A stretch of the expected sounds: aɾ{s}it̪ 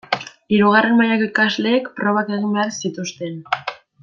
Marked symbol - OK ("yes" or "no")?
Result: yes